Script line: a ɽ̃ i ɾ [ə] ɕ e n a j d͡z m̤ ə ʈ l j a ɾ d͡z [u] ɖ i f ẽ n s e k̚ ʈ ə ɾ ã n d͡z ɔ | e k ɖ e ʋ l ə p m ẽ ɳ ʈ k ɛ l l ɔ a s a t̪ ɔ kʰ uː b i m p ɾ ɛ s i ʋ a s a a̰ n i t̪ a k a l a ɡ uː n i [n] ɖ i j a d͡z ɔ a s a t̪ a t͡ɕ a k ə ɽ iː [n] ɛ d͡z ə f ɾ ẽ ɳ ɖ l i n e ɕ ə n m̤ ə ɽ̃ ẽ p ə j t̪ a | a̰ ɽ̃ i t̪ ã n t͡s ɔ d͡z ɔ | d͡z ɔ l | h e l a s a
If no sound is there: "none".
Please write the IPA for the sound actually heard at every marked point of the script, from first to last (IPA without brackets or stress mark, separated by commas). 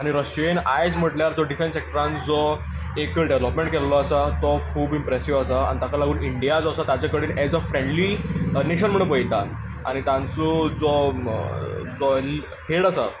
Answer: ə, ɔ, ɳ, n